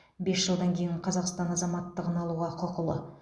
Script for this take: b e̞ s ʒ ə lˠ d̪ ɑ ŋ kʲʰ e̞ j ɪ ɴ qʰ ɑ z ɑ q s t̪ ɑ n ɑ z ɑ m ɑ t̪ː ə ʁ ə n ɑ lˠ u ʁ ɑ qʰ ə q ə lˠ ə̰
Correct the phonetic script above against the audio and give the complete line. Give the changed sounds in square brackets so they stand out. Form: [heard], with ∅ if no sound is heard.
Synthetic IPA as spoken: b e̞ s ʒ ə lˠ d̪ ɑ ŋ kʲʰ e̞ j ɪ ɴ qʰ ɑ z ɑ q s t̪ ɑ n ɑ z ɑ m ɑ t̪ː ə ʁ ə n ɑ lˠ u ʁ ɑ qʰ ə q ə lˠ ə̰